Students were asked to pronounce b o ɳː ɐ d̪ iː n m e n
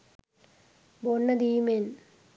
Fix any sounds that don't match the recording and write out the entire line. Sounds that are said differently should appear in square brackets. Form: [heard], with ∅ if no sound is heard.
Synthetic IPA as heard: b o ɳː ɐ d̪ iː [∅] m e n